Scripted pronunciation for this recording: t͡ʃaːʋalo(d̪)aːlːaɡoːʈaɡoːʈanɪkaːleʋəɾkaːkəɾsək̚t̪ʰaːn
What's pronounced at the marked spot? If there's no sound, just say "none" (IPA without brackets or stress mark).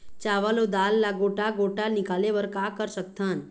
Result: d̪